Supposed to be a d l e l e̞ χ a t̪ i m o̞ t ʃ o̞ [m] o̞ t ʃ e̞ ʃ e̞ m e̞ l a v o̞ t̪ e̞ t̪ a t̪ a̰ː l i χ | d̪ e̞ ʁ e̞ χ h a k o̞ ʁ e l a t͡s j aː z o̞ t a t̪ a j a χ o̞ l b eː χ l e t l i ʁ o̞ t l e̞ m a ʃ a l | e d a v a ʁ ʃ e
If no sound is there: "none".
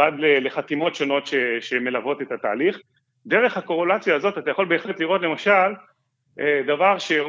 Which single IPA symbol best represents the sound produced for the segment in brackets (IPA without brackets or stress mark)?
n